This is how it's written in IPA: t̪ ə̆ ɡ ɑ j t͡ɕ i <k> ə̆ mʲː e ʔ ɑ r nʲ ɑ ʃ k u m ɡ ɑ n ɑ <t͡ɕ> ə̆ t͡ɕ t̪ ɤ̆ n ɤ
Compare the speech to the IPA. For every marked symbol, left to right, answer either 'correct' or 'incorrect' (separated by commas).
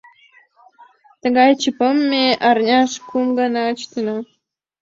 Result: incorrect, incorrect